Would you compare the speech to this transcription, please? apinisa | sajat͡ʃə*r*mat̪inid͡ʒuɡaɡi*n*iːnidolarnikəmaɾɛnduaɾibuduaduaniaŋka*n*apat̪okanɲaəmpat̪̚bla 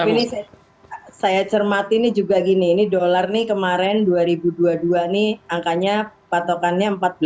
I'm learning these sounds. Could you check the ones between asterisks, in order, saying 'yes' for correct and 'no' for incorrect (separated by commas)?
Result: yes, yes, no